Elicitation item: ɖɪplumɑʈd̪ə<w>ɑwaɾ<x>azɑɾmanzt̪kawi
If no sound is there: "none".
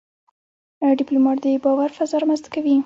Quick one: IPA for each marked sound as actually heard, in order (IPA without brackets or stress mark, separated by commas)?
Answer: b, f